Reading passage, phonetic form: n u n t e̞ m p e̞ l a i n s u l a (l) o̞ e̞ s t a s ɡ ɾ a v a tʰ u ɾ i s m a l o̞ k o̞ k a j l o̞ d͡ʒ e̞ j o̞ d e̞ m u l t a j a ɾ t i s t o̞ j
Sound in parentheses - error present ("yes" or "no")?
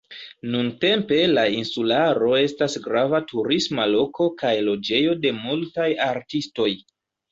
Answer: yes